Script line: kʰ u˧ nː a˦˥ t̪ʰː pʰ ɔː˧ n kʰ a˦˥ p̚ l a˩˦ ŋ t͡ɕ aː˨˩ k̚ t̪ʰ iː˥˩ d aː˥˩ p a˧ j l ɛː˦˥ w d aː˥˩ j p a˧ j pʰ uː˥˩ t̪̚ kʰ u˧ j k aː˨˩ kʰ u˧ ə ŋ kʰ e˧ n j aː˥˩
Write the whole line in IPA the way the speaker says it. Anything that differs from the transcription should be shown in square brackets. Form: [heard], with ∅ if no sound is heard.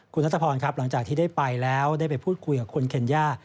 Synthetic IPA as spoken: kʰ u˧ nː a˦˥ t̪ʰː pʰ ɔː˧ n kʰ a˦˥ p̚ l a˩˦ ŋ t͡ɕ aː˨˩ k̚ t̪ʰ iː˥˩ d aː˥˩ p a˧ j l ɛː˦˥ w d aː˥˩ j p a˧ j pʰ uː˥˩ t̪̚ kʰ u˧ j k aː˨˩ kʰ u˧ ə [n] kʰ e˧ n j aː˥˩